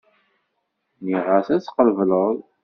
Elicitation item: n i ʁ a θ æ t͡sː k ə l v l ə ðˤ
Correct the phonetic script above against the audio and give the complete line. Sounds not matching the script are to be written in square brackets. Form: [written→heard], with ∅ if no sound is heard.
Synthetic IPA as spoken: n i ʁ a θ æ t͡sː [k→q] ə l v l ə ðˤ